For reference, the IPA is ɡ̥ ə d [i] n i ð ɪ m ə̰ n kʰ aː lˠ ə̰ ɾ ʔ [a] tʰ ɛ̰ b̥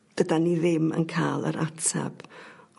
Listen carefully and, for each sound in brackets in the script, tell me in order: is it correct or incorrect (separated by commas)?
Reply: incorrect, correct